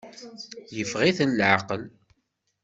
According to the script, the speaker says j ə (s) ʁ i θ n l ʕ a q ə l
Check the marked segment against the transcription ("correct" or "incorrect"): incorrect